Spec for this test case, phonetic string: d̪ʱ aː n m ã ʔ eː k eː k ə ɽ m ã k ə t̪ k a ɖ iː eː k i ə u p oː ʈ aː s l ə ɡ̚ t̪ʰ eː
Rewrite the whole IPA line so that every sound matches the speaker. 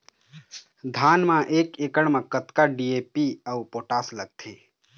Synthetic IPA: d̪ʱ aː n m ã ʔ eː k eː k ə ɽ m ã k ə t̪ k a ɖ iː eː p i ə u p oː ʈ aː s l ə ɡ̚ t̪ʰ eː